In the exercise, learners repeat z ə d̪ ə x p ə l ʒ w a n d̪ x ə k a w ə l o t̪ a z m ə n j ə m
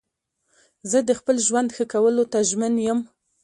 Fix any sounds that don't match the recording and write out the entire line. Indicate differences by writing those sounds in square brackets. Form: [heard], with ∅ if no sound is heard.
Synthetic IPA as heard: z ə d̪ ə x p ə l ʒ w a n d̪ x ə k a w ə l o t̪ a [ʒ] m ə n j ə m